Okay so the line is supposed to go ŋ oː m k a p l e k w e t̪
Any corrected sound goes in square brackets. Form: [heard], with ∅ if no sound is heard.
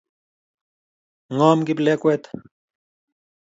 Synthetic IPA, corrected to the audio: ŋ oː m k [i] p l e k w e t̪